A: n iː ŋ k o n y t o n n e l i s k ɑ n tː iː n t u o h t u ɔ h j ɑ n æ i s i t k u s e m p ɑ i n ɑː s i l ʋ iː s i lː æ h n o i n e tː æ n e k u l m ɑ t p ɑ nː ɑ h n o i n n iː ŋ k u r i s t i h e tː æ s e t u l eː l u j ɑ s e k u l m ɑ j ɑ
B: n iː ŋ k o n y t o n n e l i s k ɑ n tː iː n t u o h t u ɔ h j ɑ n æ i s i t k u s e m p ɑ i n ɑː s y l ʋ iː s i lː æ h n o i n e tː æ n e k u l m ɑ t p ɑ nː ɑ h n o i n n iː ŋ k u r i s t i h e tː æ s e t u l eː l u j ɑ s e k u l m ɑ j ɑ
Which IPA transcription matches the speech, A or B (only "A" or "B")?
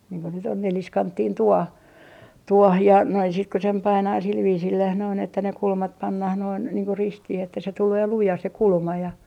A